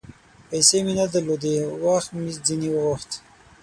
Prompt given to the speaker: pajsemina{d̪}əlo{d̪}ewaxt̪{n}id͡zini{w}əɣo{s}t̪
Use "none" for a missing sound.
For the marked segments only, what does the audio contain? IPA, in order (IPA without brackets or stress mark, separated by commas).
d̪, d̪, m, w, x